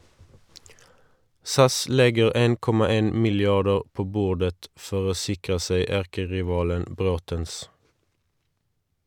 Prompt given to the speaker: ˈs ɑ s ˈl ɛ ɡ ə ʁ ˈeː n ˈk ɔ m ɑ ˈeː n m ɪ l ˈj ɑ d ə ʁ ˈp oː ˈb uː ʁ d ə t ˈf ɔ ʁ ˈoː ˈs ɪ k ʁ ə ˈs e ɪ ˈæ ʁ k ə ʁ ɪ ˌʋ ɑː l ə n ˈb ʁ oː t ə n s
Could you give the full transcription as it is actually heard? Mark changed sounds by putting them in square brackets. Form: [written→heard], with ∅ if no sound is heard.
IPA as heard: ˈs ɑ s ˈl ɛ ɡ ə ʁ ˈeː n ˈk ɔ m ɑ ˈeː n m ɪ l ˈj ɑ d ə ʁ ˈp oː ˈb uː ʁ d ə t ˈf ɔ ʁ ˈoː ˈs ɪ k ʁ ə ˈs e ɪ ˈæ ʁ k ə ʁ ɪ ˌʋ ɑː l ə n ˈb ʁ oː t ə n s